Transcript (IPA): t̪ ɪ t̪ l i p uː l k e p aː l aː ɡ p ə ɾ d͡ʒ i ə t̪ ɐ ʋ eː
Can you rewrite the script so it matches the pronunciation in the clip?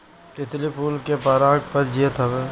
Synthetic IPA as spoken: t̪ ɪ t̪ l i p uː l k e p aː ɾ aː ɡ p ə ɾ d͡ʒ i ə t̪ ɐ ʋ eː